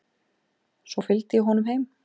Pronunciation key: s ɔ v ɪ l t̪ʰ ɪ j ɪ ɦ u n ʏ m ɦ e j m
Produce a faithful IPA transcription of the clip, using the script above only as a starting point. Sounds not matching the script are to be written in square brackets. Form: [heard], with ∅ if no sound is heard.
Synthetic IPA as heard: s ɔ [f] ɪ l [t̪] ɪ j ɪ ɦ [ɔ] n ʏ m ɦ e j m